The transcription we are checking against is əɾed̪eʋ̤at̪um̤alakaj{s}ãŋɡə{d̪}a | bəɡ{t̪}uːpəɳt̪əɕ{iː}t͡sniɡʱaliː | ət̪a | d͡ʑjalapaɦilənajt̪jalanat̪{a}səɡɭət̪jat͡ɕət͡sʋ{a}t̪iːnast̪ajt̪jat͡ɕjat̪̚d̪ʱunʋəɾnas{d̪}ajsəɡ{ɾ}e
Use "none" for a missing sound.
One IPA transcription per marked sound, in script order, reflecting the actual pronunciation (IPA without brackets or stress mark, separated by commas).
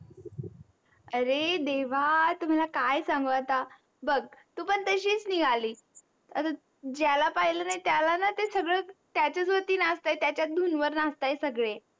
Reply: s, t̪, t̪, iː, e, ə, t̪, ɭ